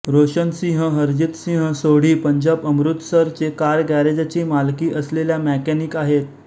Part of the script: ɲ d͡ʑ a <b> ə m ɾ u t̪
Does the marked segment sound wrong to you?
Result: no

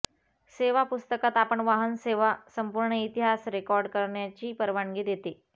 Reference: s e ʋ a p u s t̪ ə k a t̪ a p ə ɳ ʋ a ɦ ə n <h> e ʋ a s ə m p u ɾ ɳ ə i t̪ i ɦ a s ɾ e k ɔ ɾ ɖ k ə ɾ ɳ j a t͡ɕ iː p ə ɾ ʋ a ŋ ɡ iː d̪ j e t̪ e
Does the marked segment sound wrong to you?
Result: yes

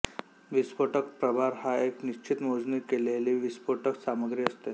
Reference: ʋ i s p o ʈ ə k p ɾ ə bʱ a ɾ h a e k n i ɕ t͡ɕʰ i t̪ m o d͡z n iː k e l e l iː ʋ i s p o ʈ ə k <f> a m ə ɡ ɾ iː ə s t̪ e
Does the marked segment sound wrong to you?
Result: yes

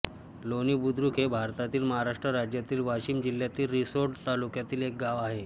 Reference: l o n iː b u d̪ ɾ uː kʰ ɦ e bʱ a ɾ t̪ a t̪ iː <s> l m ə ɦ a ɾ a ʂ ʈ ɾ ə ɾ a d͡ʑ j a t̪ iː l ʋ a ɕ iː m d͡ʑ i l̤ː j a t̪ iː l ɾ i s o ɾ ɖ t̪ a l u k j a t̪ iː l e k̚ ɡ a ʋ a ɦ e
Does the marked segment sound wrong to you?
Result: yes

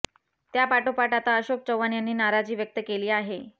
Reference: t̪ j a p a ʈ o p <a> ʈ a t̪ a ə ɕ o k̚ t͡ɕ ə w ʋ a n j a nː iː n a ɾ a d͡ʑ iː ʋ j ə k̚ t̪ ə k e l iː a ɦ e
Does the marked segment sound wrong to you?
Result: no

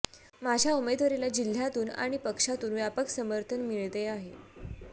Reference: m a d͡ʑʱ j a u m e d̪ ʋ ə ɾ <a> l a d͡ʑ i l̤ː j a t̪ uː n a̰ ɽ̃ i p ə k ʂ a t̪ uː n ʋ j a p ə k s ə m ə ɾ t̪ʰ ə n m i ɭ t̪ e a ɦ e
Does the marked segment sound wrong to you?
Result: yes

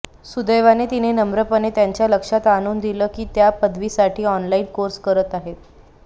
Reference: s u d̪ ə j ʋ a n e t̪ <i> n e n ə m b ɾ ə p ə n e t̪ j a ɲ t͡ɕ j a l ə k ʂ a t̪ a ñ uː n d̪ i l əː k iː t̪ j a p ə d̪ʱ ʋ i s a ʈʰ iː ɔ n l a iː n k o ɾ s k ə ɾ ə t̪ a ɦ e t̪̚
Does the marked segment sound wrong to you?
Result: no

